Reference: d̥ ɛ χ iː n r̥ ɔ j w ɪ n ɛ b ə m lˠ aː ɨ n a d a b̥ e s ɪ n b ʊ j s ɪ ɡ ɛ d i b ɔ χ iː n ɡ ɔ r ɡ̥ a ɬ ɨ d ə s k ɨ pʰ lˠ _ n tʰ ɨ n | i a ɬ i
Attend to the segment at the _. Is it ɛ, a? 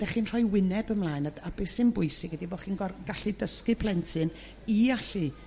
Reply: ɛ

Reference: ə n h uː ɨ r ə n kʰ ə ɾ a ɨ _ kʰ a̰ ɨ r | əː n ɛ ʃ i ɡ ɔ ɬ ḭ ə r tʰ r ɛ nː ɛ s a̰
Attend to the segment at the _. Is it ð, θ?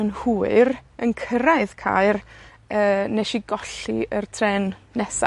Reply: ð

